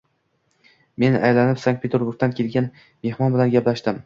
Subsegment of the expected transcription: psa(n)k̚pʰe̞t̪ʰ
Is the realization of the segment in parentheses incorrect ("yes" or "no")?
yes